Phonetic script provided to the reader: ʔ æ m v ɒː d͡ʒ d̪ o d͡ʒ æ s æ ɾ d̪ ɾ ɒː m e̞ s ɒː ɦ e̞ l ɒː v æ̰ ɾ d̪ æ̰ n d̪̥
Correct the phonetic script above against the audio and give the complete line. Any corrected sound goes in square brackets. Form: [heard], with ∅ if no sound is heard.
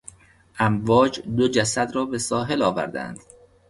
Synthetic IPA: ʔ æ m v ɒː d͡ʒ d̪ o d͡ʒ æ s æ [∅] d̪ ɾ ɒː [b] e̞ s ɒː ɦ e̞ l ɒː v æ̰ ɾ d̪ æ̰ n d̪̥